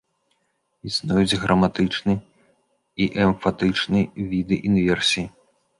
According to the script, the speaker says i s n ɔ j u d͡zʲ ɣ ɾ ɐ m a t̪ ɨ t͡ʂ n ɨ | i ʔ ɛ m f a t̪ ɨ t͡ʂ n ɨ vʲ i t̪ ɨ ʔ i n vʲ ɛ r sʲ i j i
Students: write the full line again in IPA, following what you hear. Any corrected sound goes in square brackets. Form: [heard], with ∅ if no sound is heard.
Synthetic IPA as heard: i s n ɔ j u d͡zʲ ɣ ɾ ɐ m a t̪ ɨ t͡ʂ n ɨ | i ʔ ɛ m f a t̪ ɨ t͡ʂ n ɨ vʲ i [d̪] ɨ ʔ i n vʲ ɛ r sʲ i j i